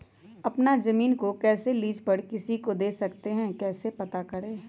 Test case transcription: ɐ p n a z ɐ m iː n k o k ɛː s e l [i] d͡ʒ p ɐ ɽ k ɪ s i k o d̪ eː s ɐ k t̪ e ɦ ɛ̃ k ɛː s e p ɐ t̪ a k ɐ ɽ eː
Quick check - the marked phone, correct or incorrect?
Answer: incorrect: iː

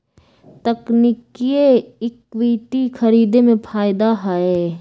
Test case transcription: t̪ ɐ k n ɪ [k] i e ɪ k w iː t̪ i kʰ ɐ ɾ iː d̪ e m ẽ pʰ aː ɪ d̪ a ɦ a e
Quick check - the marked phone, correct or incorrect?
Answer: correct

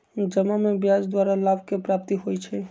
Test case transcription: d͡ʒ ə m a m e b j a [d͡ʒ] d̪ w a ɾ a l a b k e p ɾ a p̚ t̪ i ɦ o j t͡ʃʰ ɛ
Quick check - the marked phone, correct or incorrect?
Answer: correct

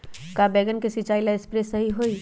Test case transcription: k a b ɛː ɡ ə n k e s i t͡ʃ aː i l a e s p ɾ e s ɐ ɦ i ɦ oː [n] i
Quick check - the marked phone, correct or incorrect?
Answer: incorrect: none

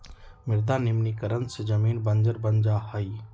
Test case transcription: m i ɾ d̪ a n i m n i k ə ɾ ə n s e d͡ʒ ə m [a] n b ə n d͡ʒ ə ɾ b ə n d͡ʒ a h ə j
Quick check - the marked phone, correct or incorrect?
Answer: incorrect: i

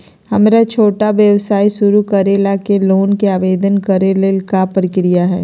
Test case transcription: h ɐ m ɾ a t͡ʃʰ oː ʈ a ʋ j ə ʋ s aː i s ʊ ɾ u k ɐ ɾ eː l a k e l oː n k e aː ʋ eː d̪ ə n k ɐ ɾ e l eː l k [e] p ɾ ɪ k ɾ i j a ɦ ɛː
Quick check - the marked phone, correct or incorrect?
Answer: incorrect: a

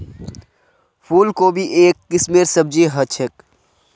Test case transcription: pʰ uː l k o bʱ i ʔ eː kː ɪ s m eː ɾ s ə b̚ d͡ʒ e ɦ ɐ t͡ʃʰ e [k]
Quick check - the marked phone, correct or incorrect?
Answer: correct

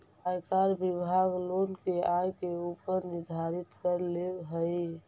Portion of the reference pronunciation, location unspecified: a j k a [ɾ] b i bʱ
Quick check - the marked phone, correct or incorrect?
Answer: correct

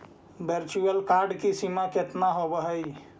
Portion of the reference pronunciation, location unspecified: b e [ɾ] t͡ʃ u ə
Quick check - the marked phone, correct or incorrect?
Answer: correct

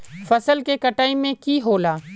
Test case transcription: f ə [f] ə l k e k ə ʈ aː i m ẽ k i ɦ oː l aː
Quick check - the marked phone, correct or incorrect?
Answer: incorrect: s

